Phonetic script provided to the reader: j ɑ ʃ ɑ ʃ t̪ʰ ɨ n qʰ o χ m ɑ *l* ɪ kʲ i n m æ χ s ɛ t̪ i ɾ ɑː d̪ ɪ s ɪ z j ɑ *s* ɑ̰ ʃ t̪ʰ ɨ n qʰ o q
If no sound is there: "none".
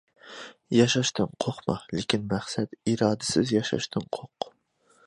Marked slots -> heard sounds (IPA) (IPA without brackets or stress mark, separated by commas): l, ʃ